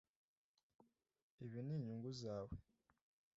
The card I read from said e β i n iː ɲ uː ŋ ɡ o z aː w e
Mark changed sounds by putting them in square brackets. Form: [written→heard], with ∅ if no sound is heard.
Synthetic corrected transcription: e β i n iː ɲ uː ŋ ɡ [o→u] z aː w e